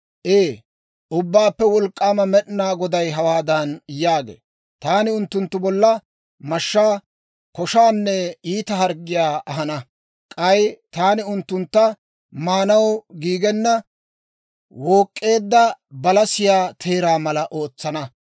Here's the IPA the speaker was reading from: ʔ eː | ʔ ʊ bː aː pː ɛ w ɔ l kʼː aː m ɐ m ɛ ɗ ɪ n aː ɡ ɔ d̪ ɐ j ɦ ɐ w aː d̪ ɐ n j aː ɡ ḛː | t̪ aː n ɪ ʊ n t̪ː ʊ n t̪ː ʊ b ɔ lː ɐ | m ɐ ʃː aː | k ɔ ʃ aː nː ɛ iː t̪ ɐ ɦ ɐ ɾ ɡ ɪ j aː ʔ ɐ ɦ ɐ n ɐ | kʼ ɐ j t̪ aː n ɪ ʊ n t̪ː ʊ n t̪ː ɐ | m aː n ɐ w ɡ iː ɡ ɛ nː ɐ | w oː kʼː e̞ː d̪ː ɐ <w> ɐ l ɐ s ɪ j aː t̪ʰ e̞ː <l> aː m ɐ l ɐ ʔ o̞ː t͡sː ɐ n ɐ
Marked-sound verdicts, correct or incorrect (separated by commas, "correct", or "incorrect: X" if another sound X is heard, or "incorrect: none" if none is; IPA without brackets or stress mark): incorrect: b, incorrect: ɾ